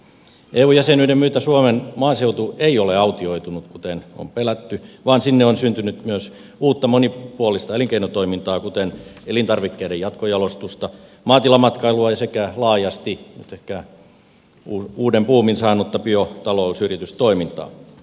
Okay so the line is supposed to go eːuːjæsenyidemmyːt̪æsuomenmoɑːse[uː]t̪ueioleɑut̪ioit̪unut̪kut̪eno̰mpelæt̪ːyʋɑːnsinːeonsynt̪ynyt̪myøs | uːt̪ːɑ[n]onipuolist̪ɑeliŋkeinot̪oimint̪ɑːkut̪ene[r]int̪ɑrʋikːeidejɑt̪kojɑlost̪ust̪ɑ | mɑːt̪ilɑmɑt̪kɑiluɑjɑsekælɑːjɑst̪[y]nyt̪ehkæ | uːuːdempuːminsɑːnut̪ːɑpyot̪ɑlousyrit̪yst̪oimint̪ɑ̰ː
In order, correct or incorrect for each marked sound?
incorrect: u, incorrect: m, incorrect: l, incorrect: i

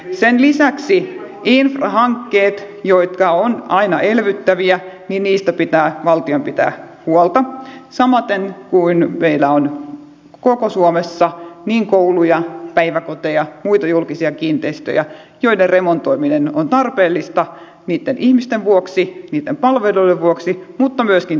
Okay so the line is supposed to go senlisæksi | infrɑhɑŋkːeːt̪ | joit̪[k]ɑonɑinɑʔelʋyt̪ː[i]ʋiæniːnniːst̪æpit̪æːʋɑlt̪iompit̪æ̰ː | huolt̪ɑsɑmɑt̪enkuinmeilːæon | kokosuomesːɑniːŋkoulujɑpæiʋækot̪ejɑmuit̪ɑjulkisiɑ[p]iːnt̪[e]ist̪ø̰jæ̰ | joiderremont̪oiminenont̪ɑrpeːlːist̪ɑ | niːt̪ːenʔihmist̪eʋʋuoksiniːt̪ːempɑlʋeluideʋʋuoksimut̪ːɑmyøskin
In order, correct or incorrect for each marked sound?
correct, incorrect: æ, incorrect: k, correct

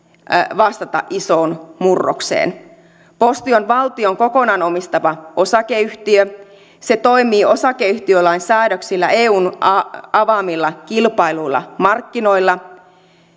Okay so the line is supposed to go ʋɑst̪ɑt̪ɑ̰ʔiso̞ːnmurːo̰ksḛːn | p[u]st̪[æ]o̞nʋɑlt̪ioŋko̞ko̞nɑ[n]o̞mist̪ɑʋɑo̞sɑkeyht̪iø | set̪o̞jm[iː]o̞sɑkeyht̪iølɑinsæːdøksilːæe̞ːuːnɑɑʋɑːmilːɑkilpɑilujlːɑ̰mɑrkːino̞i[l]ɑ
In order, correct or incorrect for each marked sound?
incorrect: o, incorrect: i, correct, correct, incorrect: lː

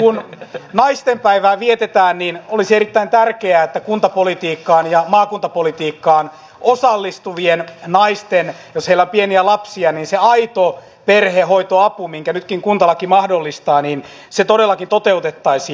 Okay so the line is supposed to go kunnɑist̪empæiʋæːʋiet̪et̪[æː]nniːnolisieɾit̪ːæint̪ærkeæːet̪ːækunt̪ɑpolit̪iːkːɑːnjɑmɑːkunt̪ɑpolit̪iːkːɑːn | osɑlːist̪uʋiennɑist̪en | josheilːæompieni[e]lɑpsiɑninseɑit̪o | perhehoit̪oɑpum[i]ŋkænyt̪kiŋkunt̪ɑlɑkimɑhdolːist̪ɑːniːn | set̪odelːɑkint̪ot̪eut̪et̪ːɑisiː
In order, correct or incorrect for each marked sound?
correct, incorrect: æ, correct

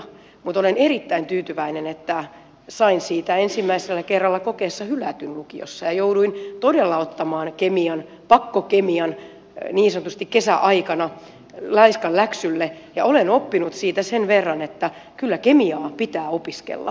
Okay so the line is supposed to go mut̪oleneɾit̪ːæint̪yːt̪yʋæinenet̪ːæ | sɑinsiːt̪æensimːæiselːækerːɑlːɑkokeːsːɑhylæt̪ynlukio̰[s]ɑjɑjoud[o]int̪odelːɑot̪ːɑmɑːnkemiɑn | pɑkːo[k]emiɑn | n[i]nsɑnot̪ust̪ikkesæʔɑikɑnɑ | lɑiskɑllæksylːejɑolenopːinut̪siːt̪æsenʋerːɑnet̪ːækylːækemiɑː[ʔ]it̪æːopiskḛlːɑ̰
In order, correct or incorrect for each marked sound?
incorrect: sː, incorrect: u, correct, incorrect: iː, incorrect: p

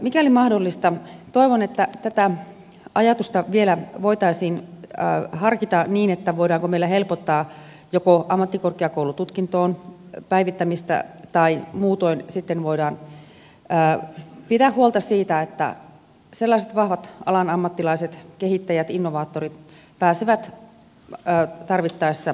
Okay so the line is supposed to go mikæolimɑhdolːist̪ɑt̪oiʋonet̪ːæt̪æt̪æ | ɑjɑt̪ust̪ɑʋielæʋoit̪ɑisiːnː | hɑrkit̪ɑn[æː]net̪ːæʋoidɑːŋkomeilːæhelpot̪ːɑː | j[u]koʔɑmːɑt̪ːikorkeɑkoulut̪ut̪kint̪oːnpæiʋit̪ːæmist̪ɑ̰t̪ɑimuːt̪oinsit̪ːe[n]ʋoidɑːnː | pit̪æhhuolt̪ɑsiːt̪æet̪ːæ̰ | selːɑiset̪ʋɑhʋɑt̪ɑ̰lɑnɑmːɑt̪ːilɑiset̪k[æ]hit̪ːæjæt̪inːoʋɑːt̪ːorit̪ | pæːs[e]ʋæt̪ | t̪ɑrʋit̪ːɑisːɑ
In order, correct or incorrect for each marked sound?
incorrect: iː, incorrect: o, correct, incorrect: e, correct

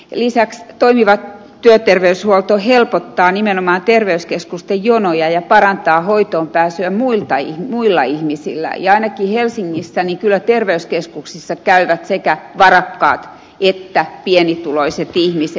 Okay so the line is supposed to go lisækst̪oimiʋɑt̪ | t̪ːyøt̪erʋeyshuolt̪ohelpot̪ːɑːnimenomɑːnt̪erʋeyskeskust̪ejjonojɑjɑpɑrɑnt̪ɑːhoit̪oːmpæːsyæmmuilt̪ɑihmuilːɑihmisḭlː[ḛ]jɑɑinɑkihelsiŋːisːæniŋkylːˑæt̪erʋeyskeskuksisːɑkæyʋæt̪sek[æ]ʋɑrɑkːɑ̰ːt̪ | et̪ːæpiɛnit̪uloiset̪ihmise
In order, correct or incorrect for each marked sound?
incorrect: æ̰, correct

